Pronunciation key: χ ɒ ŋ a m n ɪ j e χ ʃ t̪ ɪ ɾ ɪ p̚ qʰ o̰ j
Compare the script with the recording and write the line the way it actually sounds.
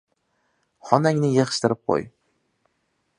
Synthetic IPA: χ ɒ n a ŋ n ɪ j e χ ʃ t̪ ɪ ɾ ɪ p̚ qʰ o̰ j